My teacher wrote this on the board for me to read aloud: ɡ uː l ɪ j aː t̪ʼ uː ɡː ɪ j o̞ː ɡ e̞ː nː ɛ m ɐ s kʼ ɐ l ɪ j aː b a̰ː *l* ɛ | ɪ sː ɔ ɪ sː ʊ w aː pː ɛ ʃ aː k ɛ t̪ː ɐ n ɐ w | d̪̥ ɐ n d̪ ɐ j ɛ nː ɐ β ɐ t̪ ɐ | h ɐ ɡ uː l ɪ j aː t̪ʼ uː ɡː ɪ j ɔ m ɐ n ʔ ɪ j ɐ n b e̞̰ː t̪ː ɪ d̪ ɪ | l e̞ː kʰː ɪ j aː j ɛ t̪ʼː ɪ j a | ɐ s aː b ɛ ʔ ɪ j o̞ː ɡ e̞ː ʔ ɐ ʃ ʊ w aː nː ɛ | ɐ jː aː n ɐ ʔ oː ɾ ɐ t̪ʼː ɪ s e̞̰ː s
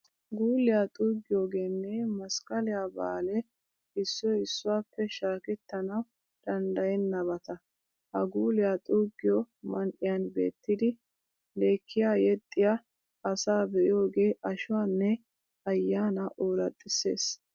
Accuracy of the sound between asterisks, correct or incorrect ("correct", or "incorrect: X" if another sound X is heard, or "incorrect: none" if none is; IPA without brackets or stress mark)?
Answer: correct